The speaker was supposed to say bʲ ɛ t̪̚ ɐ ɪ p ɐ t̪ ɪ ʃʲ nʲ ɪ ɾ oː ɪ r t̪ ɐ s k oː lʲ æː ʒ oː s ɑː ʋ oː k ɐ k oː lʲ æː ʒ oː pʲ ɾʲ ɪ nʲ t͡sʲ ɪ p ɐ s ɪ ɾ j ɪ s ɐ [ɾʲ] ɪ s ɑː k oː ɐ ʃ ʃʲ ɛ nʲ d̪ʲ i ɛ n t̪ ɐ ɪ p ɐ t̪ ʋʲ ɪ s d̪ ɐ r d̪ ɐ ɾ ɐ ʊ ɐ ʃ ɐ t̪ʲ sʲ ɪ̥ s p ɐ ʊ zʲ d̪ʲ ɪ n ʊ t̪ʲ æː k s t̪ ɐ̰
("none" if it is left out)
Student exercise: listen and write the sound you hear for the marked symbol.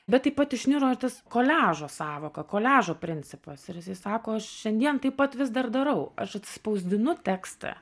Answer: none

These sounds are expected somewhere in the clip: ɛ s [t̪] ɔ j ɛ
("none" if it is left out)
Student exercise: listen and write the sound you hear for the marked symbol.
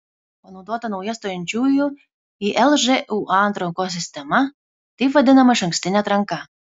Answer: t̪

